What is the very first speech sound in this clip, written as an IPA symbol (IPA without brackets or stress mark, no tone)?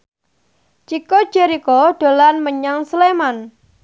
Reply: t͡ʃ